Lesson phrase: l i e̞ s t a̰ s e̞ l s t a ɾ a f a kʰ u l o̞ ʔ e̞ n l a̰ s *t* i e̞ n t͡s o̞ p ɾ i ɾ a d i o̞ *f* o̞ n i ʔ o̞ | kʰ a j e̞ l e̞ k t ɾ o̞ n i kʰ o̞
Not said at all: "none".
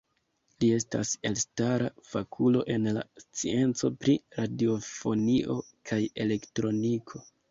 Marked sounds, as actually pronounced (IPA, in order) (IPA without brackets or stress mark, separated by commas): t͡s, f